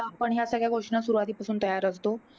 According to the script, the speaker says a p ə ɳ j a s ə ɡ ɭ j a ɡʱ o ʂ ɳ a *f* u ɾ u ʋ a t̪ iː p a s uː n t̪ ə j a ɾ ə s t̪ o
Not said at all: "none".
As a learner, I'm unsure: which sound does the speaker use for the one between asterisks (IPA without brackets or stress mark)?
s